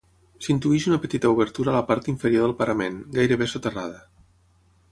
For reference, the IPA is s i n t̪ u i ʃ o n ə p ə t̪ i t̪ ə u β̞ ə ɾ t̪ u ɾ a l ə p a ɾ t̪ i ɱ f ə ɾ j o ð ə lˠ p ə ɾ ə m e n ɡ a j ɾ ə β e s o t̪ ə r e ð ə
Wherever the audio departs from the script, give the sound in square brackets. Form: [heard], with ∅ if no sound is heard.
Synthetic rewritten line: s i n t̪ u i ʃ [u] n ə p ə t̪ i t̪ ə u β̞ ə ɾ t̪ u ɾ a l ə p a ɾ t̪ i ɱ f ə ɾ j o ð ə lˠ p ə ɾ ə m e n ɡ a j ɾ ə β e s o t̪ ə r [a] ð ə